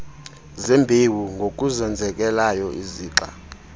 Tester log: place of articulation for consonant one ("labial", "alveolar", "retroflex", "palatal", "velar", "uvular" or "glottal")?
alveolar